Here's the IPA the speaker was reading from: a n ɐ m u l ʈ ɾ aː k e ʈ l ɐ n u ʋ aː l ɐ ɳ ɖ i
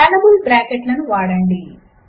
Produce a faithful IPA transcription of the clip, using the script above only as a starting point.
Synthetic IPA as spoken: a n ɐ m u l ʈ ɾ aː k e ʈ l ɐ n u ʋ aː ɽ ɐ ɳ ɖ i